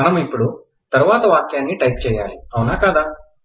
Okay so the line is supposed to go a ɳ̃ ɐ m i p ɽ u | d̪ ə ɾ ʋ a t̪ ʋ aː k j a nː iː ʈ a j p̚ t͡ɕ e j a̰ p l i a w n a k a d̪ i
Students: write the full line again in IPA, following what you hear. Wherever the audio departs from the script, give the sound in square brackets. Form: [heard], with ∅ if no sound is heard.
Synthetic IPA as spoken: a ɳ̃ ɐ m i p ɽ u | [t̪] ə ɾ ʋ a t̪ ʋ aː k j a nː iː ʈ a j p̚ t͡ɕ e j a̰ [∅] l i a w n a k a d̪ [a]